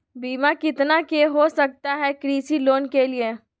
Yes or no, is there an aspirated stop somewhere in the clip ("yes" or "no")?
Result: no